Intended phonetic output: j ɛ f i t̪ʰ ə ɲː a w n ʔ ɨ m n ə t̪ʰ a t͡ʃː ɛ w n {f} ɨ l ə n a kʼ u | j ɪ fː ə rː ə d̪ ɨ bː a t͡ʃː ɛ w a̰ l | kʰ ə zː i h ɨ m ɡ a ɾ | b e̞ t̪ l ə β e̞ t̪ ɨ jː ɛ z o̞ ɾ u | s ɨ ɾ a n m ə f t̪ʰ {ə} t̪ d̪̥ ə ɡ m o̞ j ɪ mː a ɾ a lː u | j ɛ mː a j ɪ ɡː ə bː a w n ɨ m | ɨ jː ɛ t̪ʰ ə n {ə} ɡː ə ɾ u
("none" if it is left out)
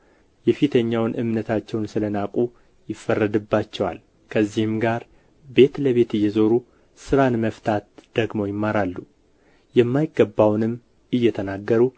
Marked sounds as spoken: s, a, a

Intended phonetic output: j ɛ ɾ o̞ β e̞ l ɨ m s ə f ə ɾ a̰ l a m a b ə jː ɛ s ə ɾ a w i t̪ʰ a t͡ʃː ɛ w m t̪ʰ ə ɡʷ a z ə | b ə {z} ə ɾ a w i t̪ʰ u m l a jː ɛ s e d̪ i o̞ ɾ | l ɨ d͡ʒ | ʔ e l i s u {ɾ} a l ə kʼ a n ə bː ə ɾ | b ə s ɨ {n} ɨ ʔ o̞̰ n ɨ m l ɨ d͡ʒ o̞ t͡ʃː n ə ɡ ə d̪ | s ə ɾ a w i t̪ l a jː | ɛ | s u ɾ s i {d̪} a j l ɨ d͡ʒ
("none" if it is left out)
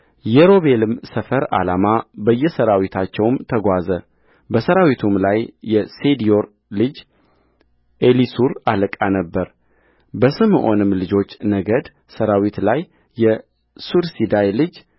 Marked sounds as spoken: s, ɾ, m, d̪

